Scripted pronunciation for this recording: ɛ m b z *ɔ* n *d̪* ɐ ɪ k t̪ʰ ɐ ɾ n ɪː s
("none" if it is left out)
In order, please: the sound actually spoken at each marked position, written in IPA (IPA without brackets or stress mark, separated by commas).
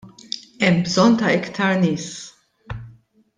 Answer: ɔ, t̪